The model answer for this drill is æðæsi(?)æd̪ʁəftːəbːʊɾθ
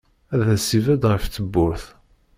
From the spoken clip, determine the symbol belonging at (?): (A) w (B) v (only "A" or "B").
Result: B